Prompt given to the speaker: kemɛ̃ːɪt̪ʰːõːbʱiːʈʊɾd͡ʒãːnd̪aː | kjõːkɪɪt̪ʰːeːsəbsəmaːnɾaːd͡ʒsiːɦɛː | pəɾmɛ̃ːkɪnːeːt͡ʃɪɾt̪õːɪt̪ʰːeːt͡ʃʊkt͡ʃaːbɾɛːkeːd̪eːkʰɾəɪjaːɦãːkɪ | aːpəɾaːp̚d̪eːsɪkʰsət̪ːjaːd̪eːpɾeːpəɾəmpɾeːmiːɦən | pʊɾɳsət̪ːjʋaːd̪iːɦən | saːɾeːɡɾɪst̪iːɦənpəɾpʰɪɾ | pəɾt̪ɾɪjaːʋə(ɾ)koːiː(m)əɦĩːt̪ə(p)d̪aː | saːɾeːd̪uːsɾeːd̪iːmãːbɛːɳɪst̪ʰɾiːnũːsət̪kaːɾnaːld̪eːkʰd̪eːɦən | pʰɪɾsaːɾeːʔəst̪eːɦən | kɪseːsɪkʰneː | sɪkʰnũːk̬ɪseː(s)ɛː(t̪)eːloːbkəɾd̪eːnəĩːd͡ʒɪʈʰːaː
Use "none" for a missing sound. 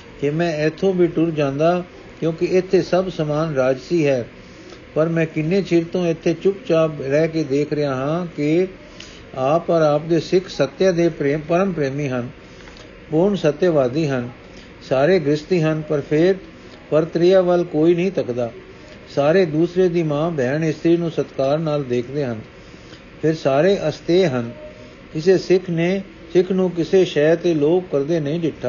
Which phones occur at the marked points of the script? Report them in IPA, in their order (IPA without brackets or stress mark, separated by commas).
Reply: l, n, k, ʃ, t̪